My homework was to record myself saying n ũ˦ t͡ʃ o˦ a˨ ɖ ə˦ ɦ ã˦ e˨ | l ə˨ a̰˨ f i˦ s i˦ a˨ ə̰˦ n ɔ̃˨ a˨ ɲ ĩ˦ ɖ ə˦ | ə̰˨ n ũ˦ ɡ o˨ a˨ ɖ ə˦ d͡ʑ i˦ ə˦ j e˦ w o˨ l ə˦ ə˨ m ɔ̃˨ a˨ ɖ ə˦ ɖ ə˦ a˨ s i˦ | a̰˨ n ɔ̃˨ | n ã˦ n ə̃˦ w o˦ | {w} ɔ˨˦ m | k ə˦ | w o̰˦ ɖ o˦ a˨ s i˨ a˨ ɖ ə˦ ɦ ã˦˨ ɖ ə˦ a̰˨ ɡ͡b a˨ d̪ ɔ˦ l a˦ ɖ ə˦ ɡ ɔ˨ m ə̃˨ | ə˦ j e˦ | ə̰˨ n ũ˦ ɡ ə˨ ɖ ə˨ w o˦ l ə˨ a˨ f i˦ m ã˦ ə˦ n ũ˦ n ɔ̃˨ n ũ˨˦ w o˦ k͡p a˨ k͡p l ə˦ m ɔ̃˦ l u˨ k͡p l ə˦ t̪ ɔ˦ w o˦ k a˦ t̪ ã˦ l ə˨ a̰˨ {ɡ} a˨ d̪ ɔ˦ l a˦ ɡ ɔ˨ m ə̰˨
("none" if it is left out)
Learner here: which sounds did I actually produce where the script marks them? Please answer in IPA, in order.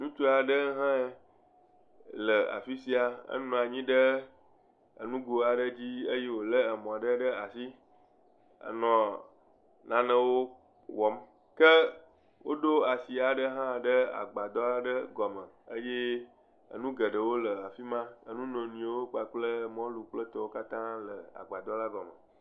w, ɡ͡b

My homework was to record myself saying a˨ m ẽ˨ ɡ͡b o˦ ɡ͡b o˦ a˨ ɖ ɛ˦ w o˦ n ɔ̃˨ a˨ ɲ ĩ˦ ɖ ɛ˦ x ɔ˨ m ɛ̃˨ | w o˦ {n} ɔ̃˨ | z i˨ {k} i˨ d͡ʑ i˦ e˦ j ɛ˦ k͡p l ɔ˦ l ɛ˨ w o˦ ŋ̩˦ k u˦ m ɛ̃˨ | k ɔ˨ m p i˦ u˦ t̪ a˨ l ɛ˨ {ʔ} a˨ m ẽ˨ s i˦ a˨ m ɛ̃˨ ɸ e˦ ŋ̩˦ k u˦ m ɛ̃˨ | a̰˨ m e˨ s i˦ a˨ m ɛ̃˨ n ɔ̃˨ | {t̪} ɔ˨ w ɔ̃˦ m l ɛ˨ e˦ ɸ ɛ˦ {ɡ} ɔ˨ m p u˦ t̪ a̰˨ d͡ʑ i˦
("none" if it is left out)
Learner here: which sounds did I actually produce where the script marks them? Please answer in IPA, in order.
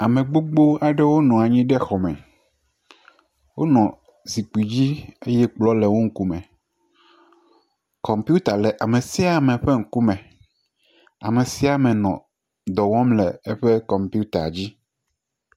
n, k͡p, ʔ, d̪, k

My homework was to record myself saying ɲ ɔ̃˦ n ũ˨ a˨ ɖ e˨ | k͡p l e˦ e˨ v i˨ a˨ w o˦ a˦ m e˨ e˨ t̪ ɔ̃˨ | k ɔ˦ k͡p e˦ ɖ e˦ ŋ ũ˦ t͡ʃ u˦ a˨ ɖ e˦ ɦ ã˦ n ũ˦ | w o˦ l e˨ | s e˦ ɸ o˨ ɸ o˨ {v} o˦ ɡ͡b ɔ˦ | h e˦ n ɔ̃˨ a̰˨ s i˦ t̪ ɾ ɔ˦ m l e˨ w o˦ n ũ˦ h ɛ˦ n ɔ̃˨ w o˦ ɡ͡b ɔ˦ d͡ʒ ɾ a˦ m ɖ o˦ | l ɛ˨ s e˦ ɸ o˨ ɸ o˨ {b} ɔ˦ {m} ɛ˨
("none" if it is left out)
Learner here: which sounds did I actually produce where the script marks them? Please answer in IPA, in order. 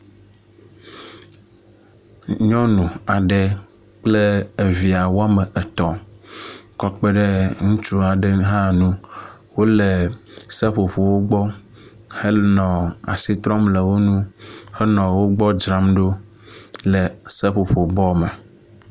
w, b, m

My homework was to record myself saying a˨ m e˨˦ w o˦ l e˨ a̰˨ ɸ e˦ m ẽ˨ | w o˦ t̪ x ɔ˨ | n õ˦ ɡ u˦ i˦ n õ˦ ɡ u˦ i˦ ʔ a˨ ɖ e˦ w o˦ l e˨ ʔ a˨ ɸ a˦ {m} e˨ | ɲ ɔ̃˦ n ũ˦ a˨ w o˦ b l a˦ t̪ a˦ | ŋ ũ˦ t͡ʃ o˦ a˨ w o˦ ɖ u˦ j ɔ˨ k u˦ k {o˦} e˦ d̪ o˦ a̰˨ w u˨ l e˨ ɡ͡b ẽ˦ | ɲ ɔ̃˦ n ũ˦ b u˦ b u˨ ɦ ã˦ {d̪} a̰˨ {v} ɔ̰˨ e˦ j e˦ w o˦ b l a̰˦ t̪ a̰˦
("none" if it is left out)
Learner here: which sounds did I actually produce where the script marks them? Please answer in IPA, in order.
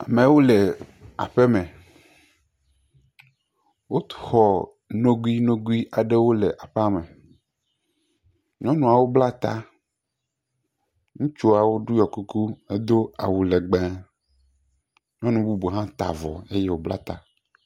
m, u˦, t̪, v

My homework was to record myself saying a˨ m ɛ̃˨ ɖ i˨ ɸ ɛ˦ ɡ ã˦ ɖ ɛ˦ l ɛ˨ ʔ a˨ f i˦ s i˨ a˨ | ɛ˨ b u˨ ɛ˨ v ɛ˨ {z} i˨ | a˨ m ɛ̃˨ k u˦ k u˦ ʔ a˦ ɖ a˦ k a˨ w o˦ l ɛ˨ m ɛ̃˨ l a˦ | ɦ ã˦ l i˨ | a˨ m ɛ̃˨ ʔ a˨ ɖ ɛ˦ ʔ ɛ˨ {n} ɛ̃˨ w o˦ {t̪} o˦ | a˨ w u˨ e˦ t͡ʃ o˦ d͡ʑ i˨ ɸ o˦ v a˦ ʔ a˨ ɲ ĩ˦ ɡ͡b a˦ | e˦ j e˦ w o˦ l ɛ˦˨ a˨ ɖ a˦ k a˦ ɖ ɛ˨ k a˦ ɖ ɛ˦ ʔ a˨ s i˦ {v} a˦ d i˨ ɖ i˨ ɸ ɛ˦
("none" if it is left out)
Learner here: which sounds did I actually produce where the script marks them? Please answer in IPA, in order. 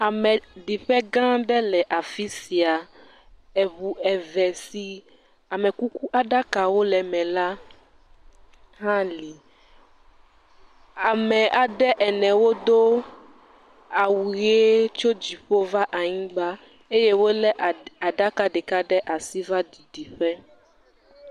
s, n, d̪, v

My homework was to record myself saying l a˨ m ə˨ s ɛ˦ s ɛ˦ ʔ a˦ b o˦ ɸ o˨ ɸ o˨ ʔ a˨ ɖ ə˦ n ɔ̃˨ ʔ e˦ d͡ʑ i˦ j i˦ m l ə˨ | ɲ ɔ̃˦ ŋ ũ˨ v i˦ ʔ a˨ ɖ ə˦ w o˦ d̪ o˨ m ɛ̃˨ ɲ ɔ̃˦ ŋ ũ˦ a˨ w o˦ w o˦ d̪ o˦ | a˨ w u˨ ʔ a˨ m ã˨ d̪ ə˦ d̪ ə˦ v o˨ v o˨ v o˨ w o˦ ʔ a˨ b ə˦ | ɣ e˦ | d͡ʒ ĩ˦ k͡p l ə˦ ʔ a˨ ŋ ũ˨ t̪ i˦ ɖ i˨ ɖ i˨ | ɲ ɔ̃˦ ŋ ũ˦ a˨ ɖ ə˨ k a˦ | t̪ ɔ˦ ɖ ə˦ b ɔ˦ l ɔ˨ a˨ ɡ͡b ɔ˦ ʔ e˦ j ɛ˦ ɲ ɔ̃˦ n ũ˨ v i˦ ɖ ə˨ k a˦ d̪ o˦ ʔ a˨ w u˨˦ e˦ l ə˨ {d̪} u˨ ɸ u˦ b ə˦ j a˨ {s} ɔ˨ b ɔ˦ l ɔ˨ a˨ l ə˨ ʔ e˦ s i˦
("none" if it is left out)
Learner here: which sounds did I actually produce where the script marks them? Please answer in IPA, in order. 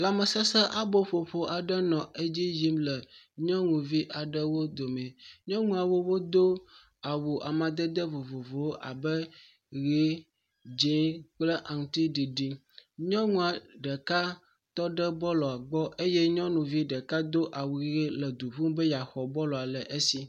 d̪, x

